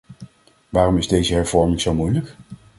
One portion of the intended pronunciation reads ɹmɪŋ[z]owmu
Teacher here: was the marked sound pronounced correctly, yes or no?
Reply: yes